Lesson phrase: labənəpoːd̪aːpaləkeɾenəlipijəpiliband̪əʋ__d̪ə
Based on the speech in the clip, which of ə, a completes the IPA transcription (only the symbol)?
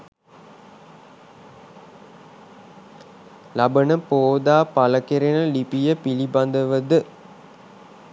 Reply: ə